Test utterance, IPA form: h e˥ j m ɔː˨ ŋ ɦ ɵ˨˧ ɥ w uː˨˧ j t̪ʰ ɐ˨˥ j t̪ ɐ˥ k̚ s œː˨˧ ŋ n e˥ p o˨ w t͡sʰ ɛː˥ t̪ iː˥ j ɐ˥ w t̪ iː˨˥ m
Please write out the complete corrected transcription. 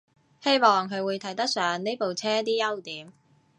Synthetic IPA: h e˥ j m ɔː˨ ŋ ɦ ɵ˨˧ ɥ w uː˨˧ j t̪ʰ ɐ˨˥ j t̪ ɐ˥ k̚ s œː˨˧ ŋ n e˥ p o˨ w t͡sʰ ɛː˥ t̪ iː˥ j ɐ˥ w t̪ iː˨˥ m